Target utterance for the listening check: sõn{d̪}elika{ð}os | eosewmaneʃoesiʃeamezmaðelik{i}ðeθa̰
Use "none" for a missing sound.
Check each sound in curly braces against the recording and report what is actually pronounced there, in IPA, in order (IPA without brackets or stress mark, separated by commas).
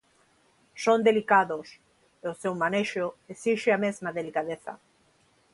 d̪, ð, a